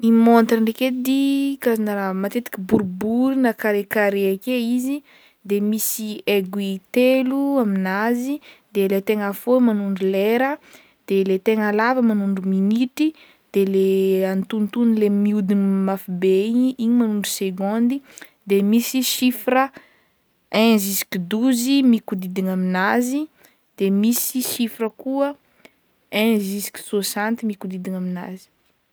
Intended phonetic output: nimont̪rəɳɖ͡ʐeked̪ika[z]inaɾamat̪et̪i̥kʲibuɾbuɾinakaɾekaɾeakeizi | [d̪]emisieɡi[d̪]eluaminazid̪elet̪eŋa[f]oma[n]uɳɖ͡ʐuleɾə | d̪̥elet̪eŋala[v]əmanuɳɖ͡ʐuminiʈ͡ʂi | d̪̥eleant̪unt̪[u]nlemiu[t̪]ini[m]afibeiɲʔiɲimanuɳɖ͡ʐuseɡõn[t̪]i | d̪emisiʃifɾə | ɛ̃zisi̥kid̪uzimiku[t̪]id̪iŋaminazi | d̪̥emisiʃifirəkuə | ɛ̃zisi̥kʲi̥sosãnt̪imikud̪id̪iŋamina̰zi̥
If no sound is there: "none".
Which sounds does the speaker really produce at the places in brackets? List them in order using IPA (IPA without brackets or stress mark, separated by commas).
z, d̪, t̪, f, n, v, u, d̪, m, d̪, d̪